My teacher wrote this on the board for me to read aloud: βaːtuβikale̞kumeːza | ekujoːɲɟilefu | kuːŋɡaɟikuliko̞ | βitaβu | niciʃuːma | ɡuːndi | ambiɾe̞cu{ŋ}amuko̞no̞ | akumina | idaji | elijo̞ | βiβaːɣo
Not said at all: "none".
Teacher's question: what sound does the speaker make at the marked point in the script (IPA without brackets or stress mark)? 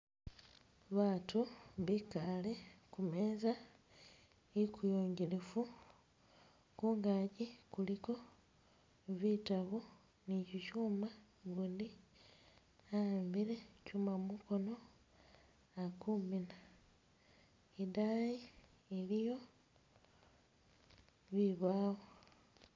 m